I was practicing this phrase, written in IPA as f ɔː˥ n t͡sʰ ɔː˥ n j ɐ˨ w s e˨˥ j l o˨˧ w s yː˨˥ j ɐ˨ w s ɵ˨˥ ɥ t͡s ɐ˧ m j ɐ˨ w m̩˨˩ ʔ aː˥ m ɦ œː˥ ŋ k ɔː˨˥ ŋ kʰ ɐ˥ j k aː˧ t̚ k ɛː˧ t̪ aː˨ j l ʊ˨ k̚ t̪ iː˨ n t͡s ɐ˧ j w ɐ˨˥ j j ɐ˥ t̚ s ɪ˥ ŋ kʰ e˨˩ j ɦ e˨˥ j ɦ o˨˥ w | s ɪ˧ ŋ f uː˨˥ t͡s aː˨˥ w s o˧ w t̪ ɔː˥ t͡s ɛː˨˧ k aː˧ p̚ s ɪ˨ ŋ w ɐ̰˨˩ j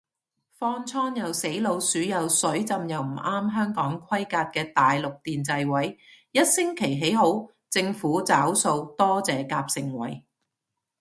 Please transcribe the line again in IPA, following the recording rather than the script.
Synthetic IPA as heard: f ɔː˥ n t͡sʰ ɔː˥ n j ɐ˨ w s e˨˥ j l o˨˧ w s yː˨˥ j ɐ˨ w s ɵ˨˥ ɥ t͡s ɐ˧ m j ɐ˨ w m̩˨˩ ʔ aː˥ m ɦ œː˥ ŋ k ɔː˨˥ ŋ kʰ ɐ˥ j k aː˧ t̚ k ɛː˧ t̪ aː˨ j l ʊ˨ k̚ t̪ iː˨ n t͡s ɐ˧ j w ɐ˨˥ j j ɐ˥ t̚ s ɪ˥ ŋ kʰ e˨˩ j ɦ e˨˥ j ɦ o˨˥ w | t͡s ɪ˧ ŋ f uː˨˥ t͡s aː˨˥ w s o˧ w t̪ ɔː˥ t͡s ɛː˨˧ k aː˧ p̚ s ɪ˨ ŋ w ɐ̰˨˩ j